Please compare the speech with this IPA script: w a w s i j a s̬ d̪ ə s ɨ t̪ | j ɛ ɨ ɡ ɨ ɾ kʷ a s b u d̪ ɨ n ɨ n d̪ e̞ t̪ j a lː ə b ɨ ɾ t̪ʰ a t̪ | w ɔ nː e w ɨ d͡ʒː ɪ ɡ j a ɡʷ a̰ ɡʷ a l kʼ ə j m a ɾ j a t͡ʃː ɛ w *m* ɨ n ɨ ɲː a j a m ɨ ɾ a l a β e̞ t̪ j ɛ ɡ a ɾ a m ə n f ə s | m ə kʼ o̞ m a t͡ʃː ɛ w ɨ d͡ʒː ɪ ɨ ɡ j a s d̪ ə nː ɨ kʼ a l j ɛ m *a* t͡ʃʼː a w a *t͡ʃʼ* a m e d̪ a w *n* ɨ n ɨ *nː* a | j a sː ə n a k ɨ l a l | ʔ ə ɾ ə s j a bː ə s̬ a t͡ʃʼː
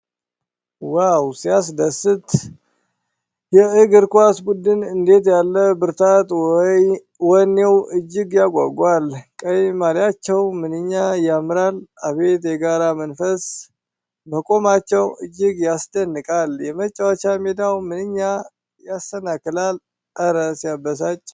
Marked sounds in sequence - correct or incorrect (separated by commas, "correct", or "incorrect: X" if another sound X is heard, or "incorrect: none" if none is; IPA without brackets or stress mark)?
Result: correct, incorrect: ə, incorrect: t͡ʃ, incorrect: m, incorrect: ɲː